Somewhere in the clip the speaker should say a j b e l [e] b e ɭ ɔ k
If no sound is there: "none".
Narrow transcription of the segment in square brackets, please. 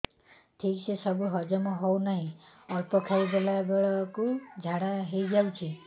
a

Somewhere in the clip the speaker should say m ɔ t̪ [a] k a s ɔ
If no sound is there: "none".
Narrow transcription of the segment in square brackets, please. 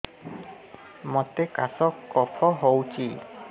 e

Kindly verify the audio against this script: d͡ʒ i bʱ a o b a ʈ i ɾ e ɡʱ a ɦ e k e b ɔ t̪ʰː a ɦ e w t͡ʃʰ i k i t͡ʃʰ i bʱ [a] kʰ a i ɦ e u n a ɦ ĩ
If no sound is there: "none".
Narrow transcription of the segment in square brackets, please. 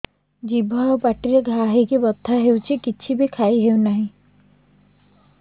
i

